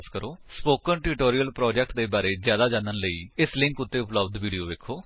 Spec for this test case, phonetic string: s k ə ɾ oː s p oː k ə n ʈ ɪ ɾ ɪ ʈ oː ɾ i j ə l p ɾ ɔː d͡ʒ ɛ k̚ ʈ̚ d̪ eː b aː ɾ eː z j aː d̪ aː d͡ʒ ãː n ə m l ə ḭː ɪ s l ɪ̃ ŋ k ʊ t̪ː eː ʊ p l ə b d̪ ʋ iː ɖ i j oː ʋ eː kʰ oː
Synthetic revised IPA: s k ə ɾ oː s p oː k ə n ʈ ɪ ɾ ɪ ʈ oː ɾ i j ə l p ɾ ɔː d͡ʒ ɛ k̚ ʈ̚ d̪ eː b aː ɾ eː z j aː d̪ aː d͡ʒ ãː n ə n l ə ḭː ɪ s l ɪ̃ ŋ k ʊ t̪ː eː ʊ p l ə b d̪ ʋ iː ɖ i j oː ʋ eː kʰ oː